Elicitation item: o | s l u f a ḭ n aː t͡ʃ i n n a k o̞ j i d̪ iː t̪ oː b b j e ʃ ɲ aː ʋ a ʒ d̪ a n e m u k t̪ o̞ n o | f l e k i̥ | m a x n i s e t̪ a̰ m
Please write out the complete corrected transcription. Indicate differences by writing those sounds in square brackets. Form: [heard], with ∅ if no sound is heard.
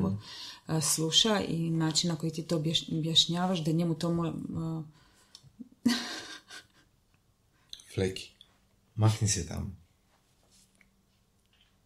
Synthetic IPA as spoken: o | s l u [ʃ] a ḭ n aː t͡ʃ i n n a k o̞ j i [t̪] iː t̪ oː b b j [a] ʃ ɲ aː ʋ a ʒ d̪ a [ɲ] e m u [∅] t̪ o̞ [m] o | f l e k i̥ | m a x n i s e t̪ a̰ m